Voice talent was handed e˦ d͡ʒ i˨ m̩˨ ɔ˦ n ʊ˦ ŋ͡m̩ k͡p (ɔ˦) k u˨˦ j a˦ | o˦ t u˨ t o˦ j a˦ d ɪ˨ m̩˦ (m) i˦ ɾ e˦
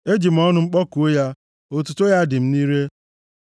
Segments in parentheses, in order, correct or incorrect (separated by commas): correct, incorrect